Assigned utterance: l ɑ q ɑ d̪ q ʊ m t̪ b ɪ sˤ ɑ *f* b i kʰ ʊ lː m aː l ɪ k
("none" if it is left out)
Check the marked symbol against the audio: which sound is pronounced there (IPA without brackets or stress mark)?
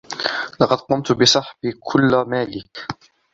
ħ